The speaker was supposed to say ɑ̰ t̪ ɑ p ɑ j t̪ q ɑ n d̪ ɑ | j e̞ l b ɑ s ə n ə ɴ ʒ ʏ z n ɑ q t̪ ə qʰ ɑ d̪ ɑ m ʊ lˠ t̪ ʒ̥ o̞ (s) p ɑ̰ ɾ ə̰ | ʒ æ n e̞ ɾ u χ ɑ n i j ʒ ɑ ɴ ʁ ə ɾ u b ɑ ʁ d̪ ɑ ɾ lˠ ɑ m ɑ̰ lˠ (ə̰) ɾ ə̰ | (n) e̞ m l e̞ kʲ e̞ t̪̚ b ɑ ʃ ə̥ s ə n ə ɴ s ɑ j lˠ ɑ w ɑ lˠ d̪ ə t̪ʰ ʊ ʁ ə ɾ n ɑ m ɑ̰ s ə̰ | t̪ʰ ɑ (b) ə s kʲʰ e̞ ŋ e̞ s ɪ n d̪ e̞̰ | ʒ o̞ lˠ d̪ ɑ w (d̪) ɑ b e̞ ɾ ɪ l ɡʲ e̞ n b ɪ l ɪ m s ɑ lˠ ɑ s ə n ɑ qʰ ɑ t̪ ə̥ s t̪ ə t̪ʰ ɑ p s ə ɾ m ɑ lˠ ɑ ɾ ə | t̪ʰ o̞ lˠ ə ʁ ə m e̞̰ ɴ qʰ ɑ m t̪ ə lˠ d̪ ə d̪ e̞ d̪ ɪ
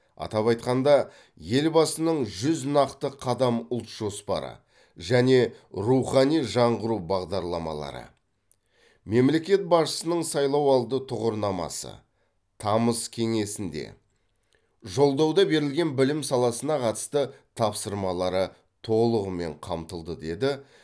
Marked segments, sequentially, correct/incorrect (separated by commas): correct, incorrect, incorrect, incorrect, correct